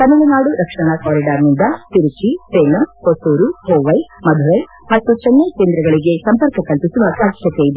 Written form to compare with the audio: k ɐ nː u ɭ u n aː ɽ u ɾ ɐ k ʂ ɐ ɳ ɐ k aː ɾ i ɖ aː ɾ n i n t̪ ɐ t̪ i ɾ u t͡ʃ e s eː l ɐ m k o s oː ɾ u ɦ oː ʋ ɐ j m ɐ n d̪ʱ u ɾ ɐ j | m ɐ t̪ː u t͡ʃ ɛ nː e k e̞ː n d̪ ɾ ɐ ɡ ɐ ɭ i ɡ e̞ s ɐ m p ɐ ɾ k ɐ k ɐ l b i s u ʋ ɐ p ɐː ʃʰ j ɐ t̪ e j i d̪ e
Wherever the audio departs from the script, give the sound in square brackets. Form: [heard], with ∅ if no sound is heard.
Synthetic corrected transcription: k ɐ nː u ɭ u n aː ɽ u ɾ ɐ k ʂ ɐ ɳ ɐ k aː ɾ i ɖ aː ɾ n i n [d̪] ɐ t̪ i ɾ u t͡ʃ [i] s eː l ɐ m k o s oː ɾ u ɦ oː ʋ ɐ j m ɐ [∅] d̪ʱ u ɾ ɐ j | m ɐ t̪ː u t͡ʃ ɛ nː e k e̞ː n d̪ ɾ ɐ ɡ ɐ ɭ i ɡ e̞ s ɐ m p ɐ ɾ k ɐ k ɐ l [p] i s u ʋ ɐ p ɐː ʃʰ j ɐ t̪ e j i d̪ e

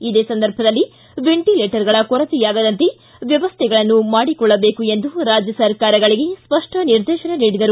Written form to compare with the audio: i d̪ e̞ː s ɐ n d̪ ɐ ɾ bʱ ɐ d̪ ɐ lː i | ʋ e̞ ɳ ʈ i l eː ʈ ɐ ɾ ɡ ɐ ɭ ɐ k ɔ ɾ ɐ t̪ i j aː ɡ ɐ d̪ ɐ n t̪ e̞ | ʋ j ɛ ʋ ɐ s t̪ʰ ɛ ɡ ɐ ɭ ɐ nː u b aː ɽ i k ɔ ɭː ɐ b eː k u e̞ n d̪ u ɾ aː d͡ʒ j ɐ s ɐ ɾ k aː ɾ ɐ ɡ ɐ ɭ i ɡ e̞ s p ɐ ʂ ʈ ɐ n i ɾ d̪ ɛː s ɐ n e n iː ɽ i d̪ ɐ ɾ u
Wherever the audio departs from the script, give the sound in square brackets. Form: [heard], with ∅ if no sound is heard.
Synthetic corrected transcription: i d̪ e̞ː s ɐ n d̪ ɐ ɾ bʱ ɐ d̪ ɐ lː i | ʋ e̞ ɳ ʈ i l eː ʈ ɐ ɾ ɡ ɐ ɭ ɐ k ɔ ɾ ɐ t̪ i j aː ɡ ɐ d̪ ɐ n t̪ e̞ | ʋ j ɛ ʋ ɐ s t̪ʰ ɛ ɡ ɐ ɭ ɐ nː u [m] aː ɽ i k ɔ ɭː ɐ b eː k u e̞ n d̪ u ɾ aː d͡ʒ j ɐ s ɐ ɾ k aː ɾ ɐ ɡ ɐ ɭ i ɡ e̞ s p ɐ ʂ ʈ ɐ n i ɾ d̪ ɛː [ʃ] ɐ n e n iː ɽ i d̪ ɐ ɾ u

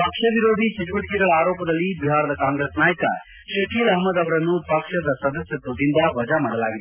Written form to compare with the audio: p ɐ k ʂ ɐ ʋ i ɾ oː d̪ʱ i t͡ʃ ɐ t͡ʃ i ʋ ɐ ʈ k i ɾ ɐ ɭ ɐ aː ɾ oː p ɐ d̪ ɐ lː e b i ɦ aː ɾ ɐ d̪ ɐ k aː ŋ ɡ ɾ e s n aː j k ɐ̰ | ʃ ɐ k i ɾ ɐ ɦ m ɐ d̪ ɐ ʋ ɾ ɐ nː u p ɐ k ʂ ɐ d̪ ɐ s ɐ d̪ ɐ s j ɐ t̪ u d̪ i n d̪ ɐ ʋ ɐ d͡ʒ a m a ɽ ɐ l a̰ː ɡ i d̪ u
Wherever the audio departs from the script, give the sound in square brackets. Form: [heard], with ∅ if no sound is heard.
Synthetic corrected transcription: p ɐ k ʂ ɐ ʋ i ɾ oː d̪ʱ i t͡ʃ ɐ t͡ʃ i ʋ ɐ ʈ k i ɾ ɐ ɭ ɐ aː ɾ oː p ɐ d̪ ɐ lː [i] b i ɦ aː ɾ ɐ d̪ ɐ k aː ŋ ɡ ɾ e s n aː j k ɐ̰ | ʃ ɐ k i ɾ ɐ ɦ m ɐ d̪ ɐ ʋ ɾ ɐ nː u p ɐ k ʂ ɐ d̪ ɐ s ɐ d̪ ɐ s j ɐ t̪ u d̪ i n d̪ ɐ ʋ ɐ d͡ʒ a m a ɽ ɐ l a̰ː ɡ i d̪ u

